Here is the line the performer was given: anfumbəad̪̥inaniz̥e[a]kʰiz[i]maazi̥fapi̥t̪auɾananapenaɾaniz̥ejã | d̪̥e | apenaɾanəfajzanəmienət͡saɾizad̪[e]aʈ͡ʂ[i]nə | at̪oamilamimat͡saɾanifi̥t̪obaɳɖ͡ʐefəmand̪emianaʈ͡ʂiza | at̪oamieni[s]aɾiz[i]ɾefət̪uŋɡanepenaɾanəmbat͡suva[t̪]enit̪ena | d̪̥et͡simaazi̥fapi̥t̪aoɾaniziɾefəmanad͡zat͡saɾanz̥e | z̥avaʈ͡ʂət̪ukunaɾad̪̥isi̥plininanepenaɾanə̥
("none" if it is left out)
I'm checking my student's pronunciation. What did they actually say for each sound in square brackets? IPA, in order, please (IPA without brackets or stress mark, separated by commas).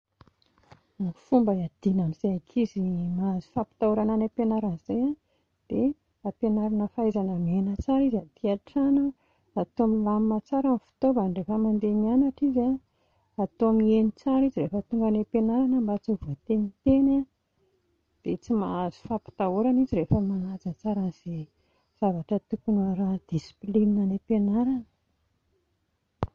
a, i, i, a, t͡s, i, t̪